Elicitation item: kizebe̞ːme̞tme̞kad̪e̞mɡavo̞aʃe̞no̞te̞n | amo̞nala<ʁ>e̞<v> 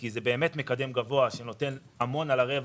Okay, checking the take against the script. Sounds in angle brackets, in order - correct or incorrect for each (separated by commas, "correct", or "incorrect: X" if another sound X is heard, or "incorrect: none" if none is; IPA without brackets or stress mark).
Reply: correct, correct